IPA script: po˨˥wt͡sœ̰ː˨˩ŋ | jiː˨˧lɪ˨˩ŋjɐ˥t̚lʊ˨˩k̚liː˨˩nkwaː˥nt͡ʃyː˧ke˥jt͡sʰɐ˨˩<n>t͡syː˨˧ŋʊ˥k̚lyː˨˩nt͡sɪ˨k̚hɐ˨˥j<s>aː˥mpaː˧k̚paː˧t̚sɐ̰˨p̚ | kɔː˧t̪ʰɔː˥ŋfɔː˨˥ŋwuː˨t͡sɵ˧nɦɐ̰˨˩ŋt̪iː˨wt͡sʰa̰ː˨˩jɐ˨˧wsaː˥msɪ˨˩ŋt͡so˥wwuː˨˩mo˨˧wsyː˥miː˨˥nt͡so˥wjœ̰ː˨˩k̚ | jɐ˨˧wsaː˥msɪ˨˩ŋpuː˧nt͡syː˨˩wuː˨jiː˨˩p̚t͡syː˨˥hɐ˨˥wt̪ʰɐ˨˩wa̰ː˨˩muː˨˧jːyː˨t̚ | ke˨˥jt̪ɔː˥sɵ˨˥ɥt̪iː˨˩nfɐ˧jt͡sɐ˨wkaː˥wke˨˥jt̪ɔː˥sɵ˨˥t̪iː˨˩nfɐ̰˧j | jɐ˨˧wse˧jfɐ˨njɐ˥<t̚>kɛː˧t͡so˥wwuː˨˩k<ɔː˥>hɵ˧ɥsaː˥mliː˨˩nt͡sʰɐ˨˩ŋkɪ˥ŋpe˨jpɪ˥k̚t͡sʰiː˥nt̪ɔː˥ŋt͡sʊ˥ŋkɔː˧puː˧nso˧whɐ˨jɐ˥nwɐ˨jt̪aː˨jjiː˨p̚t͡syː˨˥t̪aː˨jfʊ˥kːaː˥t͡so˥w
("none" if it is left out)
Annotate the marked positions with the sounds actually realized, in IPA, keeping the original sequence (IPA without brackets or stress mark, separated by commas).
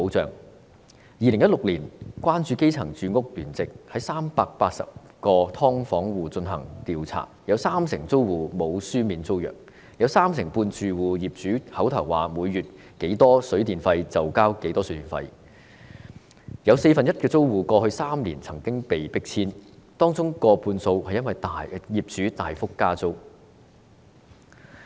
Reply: ŋ, s, t̚, ɔː˧